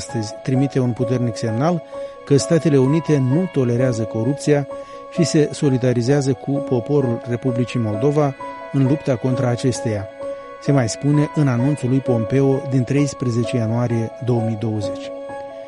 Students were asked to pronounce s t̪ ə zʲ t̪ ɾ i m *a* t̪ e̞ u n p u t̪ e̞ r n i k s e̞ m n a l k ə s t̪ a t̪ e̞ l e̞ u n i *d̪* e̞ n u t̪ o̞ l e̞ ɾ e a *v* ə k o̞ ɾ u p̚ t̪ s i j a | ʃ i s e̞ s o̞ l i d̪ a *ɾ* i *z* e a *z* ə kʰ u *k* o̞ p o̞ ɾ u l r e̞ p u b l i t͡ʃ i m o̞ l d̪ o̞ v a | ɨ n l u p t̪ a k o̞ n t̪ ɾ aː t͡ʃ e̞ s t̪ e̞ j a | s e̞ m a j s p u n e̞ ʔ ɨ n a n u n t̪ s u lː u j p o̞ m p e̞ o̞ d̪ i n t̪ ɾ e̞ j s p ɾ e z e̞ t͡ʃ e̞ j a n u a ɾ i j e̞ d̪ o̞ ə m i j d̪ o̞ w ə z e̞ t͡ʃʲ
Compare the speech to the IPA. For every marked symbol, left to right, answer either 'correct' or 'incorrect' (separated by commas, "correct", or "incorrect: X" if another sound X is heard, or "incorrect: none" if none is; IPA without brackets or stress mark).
incorrect: i, incorrect: t̪, incorrect: z, correct, correct, correct, incorrect: p